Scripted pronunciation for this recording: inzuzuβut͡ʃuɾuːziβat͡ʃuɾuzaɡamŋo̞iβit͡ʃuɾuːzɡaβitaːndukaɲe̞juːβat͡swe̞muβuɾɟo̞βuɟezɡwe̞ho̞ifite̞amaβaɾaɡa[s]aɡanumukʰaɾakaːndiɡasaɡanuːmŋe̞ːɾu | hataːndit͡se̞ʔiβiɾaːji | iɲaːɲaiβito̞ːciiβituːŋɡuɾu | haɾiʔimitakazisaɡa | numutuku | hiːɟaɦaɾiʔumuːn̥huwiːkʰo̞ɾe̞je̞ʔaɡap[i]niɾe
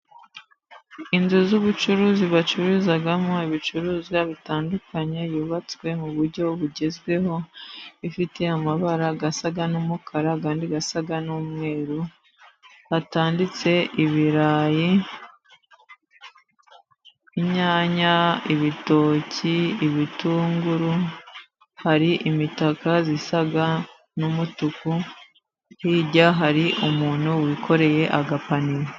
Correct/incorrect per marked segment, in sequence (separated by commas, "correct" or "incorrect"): correct, incorrect